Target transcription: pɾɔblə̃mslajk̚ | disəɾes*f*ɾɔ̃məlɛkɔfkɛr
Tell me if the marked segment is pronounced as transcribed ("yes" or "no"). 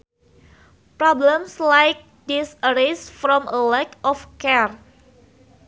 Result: yes